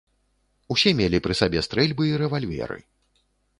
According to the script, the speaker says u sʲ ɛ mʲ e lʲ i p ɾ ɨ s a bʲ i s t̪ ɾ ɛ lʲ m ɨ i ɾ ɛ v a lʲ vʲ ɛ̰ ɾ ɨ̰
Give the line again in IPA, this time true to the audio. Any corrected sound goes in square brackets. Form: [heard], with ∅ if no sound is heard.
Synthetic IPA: u sʲ ɛ mʲ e lʲ i p ɾ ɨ s a bʲ [ɛ] s t̪ ɾ ɛ lʲ [b] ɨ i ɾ ɛ v a lʲ vʲ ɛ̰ ɾ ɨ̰